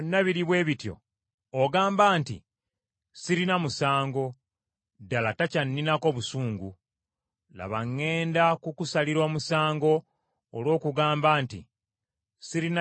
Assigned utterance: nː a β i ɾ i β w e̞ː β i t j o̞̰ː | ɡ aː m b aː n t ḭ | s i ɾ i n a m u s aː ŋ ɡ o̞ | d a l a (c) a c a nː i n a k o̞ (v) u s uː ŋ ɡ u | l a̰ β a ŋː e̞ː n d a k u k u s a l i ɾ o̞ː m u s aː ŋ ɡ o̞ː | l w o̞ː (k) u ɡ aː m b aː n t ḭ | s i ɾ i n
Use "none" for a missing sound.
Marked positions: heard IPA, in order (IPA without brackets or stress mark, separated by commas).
t, β, k